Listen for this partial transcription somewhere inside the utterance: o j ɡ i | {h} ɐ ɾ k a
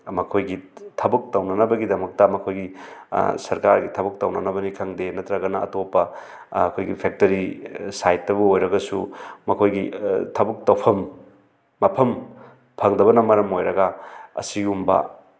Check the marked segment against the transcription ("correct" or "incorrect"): incorrect